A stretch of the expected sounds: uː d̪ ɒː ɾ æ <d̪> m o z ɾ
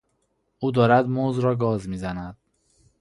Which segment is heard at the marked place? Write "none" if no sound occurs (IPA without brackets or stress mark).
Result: d̪